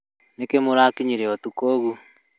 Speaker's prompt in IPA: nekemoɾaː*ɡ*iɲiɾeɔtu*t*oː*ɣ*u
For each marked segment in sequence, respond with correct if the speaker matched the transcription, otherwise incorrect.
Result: incorrect, incorrect, correct

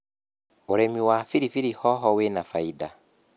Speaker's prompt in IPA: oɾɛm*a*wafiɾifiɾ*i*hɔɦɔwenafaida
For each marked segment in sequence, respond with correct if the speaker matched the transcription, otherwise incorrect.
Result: incorrect, correct

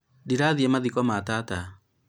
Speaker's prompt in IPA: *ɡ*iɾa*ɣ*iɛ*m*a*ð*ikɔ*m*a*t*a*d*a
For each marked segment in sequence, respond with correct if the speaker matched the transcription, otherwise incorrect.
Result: incorrect, incorrect, correct, correct, correct, correct, incorrect

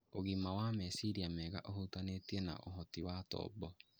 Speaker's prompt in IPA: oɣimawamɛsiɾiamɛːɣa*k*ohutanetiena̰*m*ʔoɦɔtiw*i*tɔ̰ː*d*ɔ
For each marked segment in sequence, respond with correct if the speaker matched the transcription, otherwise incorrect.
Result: incorrect, incorrect, incorrect, incorrect

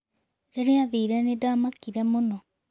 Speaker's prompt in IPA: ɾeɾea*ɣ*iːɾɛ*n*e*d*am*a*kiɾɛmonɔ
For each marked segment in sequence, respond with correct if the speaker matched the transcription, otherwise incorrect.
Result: incorrect, correct, correct, correct

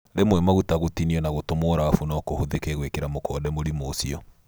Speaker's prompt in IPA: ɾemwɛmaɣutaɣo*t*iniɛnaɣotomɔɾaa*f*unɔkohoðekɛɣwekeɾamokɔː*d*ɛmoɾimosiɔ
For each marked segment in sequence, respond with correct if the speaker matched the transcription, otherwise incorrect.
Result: correct, correct, correct

